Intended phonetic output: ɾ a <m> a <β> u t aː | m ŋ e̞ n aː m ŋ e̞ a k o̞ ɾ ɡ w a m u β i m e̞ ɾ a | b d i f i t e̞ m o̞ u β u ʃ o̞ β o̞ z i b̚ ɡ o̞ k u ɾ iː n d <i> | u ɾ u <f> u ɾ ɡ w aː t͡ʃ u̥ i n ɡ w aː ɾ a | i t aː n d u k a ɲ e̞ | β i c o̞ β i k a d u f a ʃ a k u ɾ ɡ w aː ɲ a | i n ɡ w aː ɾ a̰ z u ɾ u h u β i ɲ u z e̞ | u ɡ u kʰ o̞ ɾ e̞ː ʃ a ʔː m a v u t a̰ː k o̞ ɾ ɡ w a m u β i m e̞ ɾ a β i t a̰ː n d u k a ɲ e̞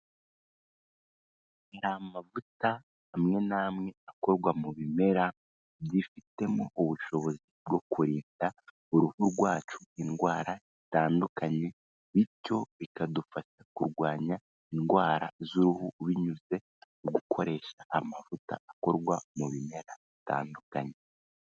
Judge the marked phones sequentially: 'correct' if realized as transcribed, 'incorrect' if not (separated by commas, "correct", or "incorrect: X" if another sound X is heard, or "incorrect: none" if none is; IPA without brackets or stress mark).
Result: correct, incorrect: v, incorrect: a, incorrect: h